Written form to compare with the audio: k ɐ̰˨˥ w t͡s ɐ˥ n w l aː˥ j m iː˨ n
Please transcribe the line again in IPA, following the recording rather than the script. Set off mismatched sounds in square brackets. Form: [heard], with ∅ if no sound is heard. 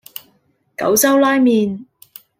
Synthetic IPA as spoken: k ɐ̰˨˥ w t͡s ɐ˥ [∅] w l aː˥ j m iː˨ n